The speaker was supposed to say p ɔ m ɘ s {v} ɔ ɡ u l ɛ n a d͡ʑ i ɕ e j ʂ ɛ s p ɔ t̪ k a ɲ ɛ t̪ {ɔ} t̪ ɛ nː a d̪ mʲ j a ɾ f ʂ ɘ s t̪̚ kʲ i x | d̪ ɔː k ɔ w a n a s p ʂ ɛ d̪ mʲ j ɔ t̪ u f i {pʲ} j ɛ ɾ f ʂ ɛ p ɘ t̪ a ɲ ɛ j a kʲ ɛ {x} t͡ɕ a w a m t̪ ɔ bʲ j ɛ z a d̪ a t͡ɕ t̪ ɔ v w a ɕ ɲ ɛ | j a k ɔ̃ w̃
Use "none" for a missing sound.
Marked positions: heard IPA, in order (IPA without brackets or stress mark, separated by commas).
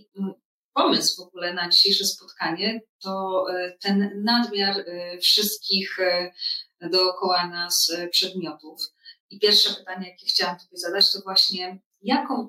v, ɔ, pʲ, x